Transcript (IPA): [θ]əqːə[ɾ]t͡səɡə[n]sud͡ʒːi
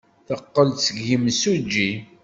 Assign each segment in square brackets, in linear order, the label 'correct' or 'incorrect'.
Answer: correct, incorrect: l, incorrect: m

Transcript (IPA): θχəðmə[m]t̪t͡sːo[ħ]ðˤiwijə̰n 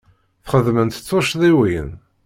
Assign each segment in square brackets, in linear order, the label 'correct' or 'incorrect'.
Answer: incorrect: n, incorrect: ʃ

